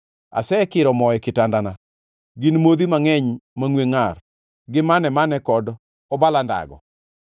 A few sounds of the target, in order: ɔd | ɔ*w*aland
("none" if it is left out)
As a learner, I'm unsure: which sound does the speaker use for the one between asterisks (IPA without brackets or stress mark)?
b